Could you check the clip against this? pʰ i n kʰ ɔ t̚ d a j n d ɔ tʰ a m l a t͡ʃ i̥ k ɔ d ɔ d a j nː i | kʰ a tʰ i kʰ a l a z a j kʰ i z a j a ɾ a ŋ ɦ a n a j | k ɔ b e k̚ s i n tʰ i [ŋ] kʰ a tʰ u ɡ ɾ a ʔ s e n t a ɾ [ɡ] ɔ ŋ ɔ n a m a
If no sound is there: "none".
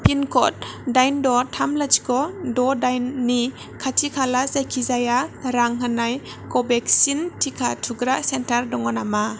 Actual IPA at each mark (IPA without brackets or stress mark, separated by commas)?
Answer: none, d